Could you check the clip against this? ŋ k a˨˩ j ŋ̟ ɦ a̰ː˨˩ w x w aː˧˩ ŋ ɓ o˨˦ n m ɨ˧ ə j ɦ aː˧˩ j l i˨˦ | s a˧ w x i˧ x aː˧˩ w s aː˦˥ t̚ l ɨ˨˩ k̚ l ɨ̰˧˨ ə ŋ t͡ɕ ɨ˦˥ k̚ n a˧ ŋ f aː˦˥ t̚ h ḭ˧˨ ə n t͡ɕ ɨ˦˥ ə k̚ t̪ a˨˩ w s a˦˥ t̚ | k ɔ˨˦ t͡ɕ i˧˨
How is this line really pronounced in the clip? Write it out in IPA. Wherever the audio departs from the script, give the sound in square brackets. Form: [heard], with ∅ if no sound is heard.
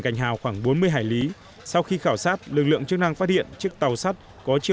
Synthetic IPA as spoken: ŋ k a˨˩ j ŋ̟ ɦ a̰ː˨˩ w x w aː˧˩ ŋ ɓ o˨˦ n m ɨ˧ ə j ɦ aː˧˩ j l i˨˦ | s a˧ w x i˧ x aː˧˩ w s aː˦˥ t̚ l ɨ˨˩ k̚ l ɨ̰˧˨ ə ŋ t͡ɕ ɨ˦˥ k̚ n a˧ ŋ f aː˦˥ t̚ h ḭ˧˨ ə n t͡ɕ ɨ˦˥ ə k̚ t̪ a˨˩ w s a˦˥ t̚ | k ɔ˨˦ t͡ɕ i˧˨